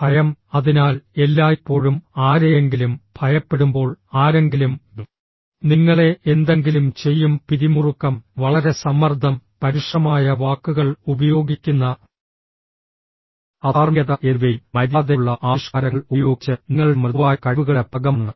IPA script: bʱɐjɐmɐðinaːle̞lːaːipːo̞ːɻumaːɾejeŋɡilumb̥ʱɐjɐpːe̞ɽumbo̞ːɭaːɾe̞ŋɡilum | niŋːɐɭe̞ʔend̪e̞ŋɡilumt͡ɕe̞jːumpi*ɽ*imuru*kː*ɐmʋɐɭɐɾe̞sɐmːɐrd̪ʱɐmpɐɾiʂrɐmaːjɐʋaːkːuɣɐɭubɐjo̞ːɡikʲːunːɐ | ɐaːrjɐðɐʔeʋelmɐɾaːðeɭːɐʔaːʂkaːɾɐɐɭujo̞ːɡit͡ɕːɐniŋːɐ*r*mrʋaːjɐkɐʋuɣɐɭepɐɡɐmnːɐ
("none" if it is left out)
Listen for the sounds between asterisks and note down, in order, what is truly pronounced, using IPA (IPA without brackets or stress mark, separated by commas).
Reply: ɾ, kː, ɭ